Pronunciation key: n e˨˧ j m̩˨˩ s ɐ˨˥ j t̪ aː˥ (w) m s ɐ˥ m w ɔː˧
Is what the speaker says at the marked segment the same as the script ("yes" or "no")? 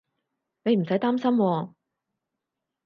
no